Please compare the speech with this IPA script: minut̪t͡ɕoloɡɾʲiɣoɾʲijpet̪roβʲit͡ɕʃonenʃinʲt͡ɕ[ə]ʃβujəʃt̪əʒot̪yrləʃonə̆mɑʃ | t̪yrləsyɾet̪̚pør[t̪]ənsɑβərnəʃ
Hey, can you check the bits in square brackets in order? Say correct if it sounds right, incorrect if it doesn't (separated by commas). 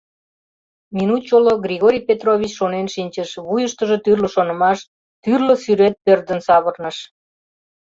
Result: correct, incorrect